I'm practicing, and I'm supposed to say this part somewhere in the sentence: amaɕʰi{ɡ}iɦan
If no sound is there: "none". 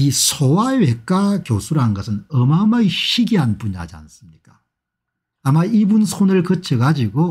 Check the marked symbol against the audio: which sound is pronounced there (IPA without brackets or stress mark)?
ɡ